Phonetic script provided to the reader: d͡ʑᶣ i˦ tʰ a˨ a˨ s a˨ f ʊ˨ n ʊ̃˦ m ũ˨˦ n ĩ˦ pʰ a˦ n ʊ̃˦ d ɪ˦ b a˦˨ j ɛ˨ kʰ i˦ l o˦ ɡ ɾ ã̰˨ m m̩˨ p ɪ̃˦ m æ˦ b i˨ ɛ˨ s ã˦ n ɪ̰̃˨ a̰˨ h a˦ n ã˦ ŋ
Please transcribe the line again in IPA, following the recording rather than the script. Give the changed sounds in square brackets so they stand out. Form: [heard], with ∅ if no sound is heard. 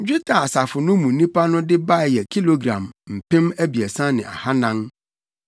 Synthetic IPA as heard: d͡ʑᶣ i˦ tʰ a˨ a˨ s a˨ f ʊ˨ n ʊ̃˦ m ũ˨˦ n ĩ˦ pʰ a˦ n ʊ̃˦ d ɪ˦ b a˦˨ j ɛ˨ kʰ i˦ l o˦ ɡ ɾ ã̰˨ m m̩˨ p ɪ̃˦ m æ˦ b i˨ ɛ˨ s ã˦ n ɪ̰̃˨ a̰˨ h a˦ n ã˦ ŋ

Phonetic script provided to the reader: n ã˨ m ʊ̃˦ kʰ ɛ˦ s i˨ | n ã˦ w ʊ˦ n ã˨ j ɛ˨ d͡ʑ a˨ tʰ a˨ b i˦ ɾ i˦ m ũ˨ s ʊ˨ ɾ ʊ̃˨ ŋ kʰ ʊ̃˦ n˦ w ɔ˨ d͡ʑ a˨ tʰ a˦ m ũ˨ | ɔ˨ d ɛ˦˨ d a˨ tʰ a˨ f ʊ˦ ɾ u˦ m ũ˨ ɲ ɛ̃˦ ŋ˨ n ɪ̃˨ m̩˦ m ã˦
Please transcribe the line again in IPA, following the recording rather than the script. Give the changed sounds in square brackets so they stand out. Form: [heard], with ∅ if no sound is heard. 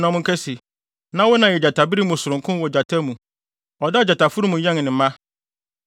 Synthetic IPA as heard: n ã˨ m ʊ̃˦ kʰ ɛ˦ s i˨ | n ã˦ w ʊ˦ n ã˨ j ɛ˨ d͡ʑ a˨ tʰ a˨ b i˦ ɾ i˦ m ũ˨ s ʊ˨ ɾ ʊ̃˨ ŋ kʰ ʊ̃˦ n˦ w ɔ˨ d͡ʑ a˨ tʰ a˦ m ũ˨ | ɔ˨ d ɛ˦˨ [d͡ʑ] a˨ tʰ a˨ f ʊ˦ ɾ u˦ m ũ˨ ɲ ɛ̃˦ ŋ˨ n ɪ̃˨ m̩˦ m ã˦

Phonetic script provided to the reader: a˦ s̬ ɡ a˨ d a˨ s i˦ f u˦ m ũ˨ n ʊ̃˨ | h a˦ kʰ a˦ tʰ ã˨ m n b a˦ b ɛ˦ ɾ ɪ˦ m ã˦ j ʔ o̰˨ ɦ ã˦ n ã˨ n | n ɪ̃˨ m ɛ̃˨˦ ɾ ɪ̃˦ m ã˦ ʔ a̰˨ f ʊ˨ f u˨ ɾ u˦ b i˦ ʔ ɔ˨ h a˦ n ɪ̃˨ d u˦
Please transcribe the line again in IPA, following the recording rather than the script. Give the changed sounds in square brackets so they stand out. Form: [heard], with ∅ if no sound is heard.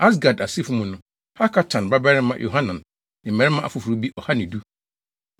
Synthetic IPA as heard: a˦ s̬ ɡ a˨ d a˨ s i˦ f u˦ m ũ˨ n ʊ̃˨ | h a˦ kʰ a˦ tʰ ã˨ [∅] n b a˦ b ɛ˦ ɾ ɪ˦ m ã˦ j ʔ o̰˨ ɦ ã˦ n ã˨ n | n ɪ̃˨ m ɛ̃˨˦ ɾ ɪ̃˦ m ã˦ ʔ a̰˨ f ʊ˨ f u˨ ɾ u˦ b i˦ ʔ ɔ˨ h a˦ n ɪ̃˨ d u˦

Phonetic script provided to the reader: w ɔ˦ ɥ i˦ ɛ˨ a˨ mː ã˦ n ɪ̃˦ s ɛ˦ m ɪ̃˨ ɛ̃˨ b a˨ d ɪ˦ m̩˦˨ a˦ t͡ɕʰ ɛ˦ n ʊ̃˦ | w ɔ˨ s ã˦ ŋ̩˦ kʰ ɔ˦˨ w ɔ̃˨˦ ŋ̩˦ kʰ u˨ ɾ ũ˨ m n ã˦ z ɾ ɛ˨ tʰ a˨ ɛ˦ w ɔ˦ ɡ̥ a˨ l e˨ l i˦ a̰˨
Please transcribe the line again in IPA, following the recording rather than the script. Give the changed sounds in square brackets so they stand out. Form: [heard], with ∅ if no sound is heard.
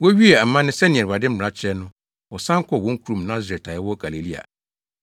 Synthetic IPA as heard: w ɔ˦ ɥ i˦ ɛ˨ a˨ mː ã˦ n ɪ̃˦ s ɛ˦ [n] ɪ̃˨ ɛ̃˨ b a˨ d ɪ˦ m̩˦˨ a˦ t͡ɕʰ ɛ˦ n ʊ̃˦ | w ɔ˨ s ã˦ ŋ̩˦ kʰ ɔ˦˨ w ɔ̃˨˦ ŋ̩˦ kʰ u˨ ɾ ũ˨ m n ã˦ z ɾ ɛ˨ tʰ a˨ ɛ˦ w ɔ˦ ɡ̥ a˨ l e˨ l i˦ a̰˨

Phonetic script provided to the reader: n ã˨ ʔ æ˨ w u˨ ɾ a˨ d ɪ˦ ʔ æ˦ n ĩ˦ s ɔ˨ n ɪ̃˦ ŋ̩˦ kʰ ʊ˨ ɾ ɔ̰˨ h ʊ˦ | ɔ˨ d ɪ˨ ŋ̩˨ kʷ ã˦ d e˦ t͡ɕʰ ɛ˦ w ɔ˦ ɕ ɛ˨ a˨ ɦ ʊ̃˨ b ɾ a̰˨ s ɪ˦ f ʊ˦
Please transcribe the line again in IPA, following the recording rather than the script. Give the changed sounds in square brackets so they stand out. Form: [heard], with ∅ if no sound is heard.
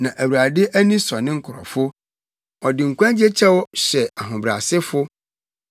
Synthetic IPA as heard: n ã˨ ʔ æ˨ w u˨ ɾ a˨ d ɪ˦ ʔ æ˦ n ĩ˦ s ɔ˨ n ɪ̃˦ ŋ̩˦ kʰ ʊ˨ ɾ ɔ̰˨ [f] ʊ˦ | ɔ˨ d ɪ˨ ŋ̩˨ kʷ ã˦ [d͡ʑ] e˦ t͡ɕʰ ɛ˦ w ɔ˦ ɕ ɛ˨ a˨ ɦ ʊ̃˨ b ɾ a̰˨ s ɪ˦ f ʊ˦

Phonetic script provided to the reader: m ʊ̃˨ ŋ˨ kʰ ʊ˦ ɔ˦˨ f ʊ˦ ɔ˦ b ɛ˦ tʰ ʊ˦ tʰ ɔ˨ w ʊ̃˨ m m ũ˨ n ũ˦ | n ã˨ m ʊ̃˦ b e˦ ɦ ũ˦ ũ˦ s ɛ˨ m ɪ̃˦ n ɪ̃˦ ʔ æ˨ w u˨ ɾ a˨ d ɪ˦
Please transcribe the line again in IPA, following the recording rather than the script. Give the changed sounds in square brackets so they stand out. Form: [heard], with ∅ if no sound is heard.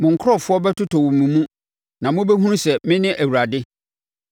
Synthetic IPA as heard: m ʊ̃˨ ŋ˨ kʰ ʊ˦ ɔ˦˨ f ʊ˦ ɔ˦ b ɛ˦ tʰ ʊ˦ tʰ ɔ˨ w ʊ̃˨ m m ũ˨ [m] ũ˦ | n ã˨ m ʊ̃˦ b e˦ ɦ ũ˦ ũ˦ s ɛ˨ m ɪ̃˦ n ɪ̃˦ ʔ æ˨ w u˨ ɾ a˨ d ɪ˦

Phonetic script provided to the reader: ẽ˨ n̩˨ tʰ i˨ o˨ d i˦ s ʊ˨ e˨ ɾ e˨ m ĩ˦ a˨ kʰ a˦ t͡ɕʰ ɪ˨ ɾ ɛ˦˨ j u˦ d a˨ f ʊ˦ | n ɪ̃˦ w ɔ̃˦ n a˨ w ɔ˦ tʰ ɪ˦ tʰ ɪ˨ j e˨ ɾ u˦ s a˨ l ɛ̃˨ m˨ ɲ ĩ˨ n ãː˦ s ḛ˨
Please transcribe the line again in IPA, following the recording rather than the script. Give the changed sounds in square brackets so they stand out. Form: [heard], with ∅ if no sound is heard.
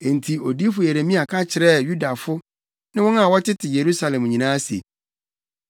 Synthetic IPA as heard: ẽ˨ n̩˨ tʰ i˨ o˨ d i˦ [f] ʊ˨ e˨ ɾ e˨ m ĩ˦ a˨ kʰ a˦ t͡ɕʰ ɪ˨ ɾ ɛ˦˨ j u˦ d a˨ f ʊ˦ | n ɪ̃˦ w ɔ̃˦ n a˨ w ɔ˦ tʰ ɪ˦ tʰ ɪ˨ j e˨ ɾ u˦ s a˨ l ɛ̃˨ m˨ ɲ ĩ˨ n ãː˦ s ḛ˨

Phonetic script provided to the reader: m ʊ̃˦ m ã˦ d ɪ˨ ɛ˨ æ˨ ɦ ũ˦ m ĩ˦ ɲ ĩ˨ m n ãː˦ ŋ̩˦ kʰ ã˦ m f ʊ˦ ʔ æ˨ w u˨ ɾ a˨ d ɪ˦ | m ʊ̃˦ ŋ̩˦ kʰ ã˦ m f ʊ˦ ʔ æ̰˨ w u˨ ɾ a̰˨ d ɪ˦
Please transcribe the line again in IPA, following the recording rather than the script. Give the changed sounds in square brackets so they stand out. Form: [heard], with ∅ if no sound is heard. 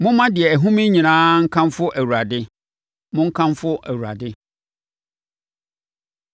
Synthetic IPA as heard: m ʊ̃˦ m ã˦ d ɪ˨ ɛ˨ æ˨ ɦ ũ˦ m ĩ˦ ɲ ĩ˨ [∅] n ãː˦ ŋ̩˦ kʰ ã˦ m f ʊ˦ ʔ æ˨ w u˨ ɾ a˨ d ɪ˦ | m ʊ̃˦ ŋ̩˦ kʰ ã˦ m f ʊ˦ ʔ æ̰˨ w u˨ ɾ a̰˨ d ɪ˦

